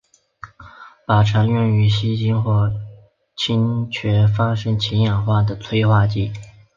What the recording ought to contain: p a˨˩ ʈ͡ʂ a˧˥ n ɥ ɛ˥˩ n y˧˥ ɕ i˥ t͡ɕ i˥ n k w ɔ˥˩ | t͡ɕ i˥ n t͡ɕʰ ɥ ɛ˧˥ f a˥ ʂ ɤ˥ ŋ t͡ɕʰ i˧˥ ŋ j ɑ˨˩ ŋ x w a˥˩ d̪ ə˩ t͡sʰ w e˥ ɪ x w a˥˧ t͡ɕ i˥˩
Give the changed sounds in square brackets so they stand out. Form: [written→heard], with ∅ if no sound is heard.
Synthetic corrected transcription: p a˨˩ [ʈ͡ʂ→ʈ͡ʂʰ] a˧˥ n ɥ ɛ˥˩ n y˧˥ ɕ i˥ t͡ɕ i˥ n [k→x] w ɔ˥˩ | [t͡ɕ→t͡ɕʰ] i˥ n t͡ɕʰ ɥ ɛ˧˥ f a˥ ʂ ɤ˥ ŋ t͡ɕʰ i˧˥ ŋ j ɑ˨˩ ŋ x w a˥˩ d̪ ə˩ t͡sʰ w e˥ ɪ x w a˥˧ t͡ɕ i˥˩

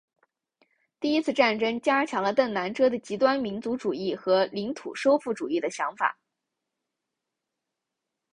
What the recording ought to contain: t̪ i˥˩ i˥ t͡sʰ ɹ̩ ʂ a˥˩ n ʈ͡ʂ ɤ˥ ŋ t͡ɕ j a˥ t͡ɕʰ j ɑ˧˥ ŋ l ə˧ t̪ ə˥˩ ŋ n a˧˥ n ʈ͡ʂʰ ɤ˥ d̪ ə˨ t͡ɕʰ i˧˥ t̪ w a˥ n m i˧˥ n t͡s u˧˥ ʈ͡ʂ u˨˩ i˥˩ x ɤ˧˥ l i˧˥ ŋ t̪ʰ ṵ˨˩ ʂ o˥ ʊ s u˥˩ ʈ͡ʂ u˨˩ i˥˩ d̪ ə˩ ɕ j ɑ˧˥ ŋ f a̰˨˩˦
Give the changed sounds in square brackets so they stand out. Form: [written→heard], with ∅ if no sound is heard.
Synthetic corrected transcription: t̪ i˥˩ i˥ t͡sʰ ɹ̩ [ʂ→ʈ͡ʂ] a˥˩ n ʈ͡ʂ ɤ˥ ŋ t͡ɕ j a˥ t͡ɕʰ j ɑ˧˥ ŋ l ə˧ t̪ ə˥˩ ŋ n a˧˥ n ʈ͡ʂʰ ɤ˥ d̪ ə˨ [t͡ɕʰ→t͡ɕ] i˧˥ t̪ w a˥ n m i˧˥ n t͡s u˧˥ ʈ͡ʂ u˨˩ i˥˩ x ɤ˧˥ l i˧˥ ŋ t̪ʰ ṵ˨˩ ʂ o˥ ʊ [s→f] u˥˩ ʈ͡ʂ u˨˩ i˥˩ d̪ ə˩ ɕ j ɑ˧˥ ŋ f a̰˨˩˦

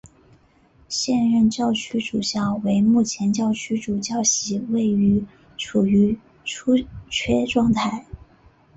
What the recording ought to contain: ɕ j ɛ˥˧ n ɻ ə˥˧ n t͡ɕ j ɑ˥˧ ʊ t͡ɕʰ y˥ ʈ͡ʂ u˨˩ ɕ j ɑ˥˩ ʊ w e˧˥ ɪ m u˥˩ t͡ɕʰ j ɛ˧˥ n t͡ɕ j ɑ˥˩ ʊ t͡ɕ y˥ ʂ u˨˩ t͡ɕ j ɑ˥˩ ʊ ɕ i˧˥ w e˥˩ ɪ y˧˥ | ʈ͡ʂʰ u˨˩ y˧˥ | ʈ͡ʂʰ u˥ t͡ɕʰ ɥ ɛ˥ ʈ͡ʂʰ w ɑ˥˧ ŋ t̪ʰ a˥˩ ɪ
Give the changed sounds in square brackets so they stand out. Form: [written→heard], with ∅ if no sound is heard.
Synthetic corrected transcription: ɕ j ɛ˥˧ n ɻ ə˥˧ n t͡ɕ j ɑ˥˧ ʊ t͡ɕʰ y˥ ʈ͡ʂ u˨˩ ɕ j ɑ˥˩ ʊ w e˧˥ ɪ m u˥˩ t͡ɕʰ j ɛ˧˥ n t͡ɕ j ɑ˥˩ ʊ [t͡ɕ→t͡ɕʰ] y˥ [ʂ→ʈ͡ʂ] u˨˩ t͡ɕ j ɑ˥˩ ʊ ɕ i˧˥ w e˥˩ ɪ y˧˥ | ʈ͡ʂʰ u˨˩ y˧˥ | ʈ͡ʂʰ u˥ t͡ɕʰ ɥ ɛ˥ [ʈ͡ʂʰ→ʈ͡ʂ] w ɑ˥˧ ŋ t̪ʰ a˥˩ ɪ

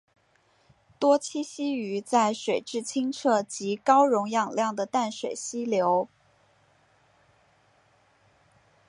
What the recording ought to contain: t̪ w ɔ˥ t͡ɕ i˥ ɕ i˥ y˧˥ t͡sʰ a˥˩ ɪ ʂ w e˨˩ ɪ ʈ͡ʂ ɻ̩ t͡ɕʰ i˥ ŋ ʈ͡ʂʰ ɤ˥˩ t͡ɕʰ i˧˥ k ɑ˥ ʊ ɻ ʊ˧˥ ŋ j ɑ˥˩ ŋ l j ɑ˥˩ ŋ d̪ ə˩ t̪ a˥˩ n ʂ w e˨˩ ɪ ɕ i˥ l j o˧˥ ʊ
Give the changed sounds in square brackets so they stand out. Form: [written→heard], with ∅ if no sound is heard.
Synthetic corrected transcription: t̪ w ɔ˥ [t͡ɕ→t͡ɕʰ] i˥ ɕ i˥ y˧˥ [t͡sʰ→t͡s] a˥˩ ɪ ʂ w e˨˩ ɪ ʈ͡ʂ ɻ̩ t͡ɕʰ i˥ ŋ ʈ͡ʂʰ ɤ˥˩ [t͡ɕʰ→t͡ɕ] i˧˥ k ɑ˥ ʊ ɻ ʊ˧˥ ŋ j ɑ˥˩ ŋ l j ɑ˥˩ ŋ d̪ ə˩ t̪ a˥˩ n ʂ w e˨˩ ɪ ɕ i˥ l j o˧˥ ʊ

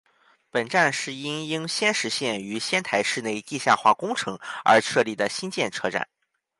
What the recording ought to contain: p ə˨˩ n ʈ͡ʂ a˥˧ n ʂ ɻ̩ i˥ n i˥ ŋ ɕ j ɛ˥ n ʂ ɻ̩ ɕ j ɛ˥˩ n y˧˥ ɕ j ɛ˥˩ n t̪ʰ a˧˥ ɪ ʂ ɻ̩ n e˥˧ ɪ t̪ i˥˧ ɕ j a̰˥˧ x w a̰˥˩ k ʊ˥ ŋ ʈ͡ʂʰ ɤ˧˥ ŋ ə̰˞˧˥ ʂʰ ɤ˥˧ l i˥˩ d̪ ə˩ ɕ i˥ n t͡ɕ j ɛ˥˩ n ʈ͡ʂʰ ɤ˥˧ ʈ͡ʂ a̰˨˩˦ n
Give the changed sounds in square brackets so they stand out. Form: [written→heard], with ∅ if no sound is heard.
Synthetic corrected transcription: p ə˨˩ n ʈ͡ʂ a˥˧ n ʂ ɻ̩ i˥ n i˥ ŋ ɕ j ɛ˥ n ʂ ɻ̩ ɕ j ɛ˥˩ n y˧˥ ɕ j [ɛ˥˩→ɛ˥] n t̪ʰ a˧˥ ɪ ʂ ɻ̩ n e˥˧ ɪ t̪ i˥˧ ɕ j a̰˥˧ x w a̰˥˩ k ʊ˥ ŋ ʈ͡ʂʰ ɤ˧˥ ŋ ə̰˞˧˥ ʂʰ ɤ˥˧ l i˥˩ d̪ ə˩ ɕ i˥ n t͡ɕ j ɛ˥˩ n ʈ͡ʂʰ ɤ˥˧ ʈ͡ʂ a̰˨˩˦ n

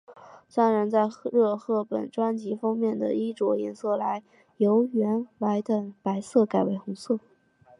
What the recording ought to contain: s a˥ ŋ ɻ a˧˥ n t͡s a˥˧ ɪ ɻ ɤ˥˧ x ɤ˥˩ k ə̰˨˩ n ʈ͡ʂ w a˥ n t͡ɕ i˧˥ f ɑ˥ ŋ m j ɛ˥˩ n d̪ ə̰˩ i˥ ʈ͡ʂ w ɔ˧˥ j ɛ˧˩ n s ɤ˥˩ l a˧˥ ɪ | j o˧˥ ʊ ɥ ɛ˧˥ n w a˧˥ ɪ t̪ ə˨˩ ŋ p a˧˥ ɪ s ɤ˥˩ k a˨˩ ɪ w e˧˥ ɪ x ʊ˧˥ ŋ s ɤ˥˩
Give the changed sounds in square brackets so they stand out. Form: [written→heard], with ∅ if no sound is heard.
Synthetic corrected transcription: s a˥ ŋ ɻ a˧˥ n t͡s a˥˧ ɪ ɻ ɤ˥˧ x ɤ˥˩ [k→p] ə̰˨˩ n ʈ͡ʂ w a˥ n t͡ɕ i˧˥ f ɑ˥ ŋ m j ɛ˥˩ n d̪ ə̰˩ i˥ ʈ͡ʂ w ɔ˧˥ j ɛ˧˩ n s ɤ˥˩ l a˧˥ ɪ | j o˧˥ ʊ ɥ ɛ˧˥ n w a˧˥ ɪ t̪ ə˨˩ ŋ p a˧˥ ɪ s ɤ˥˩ k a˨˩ ɪ w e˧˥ ɪ x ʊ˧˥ ŋ s ɤ˥˩

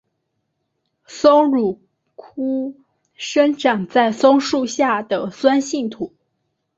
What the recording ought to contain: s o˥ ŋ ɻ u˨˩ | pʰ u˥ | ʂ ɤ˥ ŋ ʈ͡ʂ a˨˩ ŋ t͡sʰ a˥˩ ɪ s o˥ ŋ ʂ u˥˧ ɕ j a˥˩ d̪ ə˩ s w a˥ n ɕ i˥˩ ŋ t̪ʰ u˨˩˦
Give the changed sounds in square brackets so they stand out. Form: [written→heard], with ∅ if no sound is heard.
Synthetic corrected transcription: s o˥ ŋ ɻ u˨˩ | [pʰ→kʰ] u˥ | ʂ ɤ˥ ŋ ʈ͡ʂ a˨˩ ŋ [t͡sʰ→t͡s] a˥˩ ɪ s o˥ ŋ ʂ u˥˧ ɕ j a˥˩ d̪ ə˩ s w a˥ n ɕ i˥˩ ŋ t̪ʰ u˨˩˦

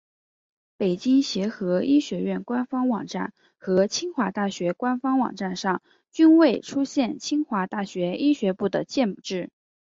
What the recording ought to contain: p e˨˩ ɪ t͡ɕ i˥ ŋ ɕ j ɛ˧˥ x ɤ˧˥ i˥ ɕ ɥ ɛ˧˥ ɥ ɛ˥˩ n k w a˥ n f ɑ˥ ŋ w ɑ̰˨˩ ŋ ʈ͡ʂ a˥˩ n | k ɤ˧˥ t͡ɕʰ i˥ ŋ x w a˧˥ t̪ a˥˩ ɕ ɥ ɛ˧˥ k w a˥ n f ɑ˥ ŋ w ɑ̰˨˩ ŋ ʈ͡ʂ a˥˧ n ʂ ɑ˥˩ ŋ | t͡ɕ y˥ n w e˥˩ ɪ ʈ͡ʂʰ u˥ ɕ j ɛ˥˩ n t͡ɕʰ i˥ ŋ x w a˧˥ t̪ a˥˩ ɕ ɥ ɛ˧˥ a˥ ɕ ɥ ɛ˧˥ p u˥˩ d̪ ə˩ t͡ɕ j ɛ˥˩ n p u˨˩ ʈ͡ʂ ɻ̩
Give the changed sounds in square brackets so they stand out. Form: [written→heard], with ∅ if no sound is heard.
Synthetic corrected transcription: p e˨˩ ɪ t͡ɕ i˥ ŋ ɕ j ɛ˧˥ x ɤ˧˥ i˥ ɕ ɥ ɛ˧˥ ɥ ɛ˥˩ n k w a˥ n f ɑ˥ ŋ w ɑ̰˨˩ ŋ ʈ͡ʂ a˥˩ n | [k→x] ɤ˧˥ t͡ɕʰ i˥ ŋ x w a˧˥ t̪ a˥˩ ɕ ɥ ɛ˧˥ k w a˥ n f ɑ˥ ŋ w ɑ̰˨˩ ŋ ʈ͡ʂ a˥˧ n ʂ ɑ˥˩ ŋ | t͡ɕ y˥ n w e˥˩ ɪ ʈ͡ʂʰ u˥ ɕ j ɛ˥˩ n t͡ɕʰ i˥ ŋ x w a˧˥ t̪ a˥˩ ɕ ɥ ɛ˧˥ [a˥→i˥] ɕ ɥ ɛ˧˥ p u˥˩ d̪ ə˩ t͡ɕ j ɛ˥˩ n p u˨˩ ʈ͡ʂ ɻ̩

